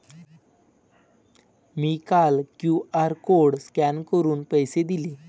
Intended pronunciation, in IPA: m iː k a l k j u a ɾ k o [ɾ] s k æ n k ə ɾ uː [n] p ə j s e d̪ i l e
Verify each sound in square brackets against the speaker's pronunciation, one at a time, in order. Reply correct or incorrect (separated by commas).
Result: incorrect, correct